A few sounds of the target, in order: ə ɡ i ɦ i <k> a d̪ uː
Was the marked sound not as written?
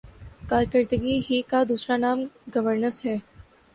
no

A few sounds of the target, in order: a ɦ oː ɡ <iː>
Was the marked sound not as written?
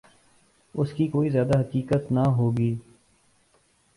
no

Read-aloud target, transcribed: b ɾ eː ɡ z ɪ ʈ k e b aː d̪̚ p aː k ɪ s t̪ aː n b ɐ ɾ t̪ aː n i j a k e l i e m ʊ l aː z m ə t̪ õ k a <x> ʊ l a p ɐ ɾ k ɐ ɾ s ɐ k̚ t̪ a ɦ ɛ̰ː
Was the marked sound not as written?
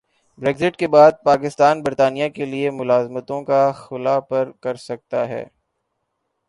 no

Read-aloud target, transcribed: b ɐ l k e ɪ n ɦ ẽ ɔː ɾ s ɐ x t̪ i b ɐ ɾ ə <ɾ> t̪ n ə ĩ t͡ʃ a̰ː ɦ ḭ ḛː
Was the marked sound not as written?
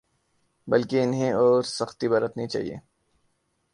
yes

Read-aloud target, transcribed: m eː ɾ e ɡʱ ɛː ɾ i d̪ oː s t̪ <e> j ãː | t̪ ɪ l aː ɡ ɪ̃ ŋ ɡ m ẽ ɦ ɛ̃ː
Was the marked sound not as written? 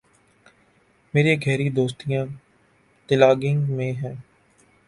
yes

